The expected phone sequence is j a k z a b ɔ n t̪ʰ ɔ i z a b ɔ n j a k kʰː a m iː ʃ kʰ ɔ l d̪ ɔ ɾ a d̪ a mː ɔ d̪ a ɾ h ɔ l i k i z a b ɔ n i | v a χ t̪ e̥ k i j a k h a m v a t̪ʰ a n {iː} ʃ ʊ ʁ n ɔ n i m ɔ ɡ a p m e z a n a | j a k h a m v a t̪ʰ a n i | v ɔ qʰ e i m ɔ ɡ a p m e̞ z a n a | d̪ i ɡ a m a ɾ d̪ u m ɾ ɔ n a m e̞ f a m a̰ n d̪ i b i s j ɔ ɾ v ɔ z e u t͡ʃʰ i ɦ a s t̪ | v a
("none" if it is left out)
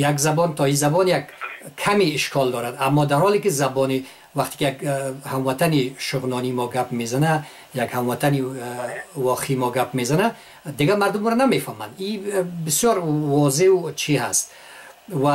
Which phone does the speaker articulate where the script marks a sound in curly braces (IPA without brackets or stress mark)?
i